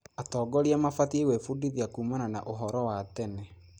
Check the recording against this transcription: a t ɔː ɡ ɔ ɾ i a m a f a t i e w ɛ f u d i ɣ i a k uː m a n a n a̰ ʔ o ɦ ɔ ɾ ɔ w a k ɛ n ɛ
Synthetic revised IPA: a t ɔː ɡ ɔ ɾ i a m a f a t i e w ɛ f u d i ð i a k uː m a n a n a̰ ʔ o ɦ ɔ ɾ ɔ w a t ɛ n ɛ